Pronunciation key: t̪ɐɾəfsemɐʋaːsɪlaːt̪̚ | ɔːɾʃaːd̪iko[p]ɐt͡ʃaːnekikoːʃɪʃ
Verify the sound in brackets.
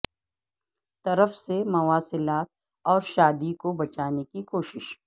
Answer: incorrect: b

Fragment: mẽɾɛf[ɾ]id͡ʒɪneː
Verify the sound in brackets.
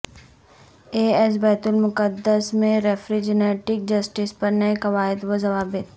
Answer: correct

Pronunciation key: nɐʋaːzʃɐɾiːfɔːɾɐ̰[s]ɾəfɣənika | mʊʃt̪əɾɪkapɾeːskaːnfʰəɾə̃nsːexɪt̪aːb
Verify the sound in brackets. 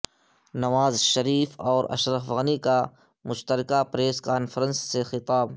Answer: incorrect: ʃ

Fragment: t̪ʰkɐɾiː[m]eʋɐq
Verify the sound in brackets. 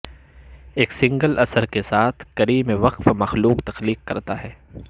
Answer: correct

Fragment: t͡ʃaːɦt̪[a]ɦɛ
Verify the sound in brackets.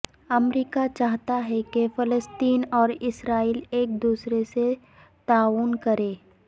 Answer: correct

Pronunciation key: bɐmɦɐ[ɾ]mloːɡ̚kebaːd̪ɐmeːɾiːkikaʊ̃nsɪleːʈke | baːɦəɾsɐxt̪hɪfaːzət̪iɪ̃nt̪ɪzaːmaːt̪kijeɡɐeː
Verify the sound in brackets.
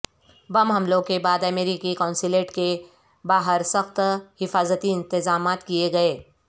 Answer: incorrect: none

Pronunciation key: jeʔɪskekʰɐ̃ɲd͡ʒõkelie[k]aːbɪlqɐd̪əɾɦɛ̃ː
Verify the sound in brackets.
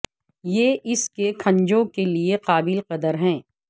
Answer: incorrect: q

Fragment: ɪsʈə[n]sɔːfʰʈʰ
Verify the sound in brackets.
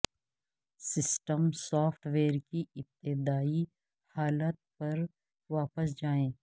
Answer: incorrect: m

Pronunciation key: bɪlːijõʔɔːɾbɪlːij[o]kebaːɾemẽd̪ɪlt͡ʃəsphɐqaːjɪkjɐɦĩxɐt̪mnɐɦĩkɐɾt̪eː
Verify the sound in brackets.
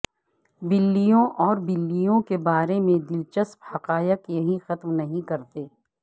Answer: incorrect: õ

